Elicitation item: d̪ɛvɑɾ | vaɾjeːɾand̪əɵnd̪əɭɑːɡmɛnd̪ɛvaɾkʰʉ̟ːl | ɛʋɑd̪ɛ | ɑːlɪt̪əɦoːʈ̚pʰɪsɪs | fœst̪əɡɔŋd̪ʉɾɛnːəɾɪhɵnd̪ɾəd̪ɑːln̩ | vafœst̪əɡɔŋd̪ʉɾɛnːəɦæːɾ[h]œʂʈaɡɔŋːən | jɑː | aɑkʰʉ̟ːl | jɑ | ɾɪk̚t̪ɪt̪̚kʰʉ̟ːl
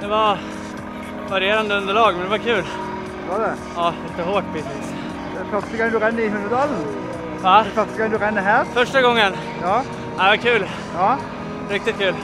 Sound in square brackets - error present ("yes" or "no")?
yes